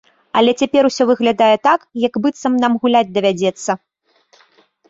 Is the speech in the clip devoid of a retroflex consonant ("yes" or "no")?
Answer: yes